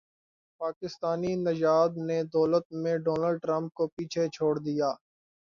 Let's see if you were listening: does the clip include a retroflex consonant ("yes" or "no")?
yes